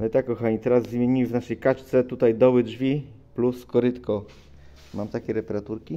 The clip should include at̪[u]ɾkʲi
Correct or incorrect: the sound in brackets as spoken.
correct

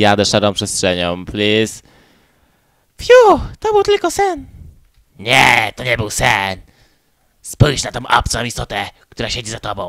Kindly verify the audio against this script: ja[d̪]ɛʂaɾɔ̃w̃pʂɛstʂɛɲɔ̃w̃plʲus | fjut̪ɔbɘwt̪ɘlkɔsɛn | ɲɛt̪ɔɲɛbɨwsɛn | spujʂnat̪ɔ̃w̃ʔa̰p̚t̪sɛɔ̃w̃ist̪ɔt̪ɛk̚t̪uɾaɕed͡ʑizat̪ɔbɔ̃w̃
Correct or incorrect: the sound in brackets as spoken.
correct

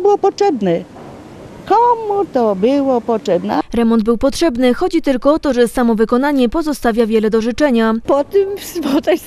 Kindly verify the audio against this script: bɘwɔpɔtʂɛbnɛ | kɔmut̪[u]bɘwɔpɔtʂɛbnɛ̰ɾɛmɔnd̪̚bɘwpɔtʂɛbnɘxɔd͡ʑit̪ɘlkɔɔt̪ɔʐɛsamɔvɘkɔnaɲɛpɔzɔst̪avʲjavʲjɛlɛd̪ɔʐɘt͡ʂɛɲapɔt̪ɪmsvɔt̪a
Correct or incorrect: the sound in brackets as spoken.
incorrect: ɔ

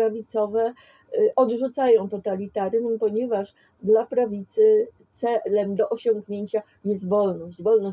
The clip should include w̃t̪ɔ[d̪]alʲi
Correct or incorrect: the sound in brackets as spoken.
incorrect: t̪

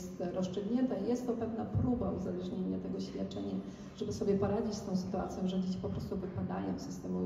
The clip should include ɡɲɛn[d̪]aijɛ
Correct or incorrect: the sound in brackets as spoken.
incorrect: t̪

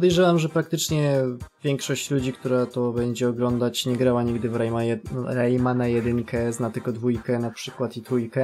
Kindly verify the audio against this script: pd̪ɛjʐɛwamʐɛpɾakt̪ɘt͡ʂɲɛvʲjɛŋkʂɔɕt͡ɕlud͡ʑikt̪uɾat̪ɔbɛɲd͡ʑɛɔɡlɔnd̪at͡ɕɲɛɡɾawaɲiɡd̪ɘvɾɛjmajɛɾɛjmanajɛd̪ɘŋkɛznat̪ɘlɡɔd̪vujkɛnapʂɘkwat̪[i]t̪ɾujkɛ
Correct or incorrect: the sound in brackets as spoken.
correct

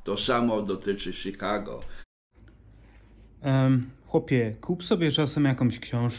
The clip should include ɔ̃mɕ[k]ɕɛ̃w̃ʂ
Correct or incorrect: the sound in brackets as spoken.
correct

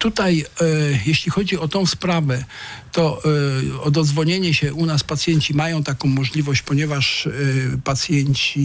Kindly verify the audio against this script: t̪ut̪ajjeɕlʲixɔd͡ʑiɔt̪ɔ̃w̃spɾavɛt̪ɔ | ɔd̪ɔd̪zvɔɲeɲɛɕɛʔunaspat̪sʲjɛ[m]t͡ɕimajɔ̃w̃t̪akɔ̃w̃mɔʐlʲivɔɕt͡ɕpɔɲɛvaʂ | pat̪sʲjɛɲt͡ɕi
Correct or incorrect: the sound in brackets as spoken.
incorrect: ɲ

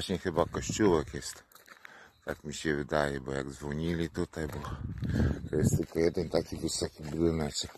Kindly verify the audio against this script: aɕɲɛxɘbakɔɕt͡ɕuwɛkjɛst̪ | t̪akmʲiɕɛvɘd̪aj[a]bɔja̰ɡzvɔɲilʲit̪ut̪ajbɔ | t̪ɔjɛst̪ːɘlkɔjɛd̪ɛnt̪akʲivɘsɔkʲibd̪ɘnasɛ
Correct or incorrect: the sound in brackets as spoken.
incorrect: ɛ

